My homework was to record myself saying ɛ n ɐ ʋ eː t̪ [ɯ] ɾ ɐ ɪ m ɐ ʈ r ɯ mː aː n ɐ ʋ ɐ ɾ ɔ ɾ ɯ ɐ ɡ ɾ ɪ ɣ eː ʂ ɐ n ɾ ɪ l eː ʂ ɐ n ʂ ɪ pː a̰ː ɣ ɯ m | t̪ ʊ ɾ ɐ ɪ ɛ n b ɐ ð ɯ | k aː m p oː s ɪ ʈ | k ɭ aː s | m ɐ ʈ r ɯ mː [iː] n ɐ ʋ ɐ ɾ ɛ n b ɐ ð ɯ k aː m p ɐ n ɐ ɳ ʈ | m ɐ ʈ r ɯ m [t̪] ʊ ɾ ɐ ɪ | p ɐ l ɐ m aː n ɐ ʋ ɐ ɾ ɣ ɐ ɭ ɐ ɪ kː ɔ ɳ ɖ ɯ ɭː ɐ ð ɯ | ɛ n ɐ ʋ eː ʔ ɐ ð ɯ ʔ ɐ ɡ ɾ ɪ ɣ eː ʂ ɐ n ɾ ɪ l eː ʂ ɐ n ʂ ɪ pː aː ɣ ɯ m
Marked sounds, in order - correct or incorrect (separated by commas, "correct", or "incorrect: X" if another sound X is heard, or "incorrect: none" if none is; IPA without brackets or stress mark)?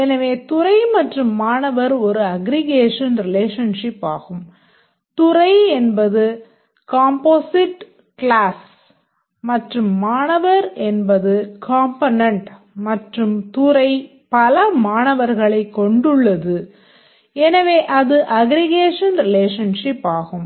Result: incorrect: ʊ, incorrect: aː, correct